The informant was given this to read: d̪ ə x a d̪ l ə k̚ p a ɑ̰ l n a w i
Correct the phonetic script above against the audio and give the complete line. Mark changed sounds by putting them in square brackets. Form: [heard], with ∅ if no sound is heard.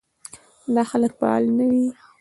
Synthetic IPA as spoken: d̪ [ɑ] x a [∅] l ə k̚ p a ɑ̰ l n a w i